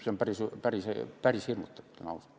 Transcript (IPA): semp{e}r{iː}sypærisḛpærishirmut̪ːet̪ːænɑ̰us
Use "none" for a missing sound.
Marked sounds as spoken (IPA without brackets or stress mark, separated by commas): æ, i